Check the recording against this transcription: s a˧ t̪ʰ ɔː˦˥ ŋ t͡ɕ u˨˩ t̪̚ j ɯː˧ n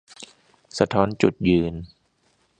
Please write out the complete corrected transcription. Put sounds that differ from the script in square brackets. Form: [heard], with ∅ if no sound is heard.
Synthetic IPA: s a˧ t̪ʰ ɔː˦˥ [n] t͡ɕ u˨˩ t̪̚ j ɯː˧ n